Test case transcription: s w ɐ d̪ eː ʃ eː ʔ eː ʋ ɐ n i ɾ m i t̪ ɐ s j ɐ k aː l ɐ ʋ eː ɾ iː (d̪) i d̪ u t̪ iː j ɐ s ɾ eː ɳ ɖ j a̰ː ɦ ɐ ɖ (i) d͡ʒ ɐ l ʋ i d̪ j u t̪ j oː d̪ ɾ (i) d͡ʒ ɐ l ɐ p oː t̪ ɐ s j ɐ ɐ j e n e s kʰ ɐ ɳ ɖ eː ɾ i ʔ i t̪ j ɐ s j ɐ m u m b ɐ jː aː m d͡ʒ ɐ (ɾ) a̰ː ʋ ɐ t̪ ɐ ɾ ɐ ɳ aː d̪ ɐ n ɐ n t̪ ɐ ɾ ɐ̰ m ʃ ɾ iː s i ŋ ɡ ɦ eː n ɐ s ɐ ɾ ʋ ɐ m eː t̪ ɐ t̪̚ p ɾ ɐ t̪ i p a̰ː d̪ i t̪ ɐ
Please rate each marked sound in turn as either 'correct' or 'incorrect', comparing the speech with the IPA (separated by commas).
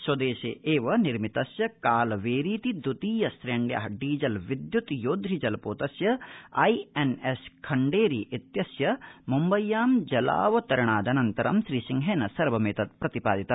incorrect, incorrect, correct, incorrect